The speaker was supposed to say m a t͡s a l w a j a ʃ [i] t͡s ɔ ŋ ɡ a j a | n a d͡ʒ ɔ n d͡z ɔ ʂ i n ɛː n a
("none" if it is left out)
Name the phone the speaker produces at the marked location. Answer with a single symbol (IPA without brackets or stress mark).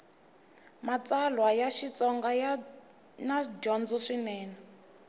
i